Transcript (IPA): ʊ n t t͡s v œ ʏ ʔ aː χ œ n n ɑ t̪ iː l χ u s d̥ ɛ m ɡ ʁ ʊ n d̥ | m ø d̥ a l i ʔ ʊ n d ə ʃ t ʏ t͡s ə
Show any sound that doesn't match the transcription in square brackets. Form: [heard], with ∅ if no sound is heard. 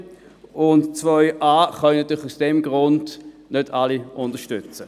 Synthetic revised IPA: ʊ n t t͡s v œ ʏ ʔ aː χ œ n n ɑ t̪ [yː] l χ u s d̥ ɛ m ɡ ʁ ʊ n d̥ | [n] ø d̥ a l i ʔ ʊ n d ə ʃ t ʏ t͡s ə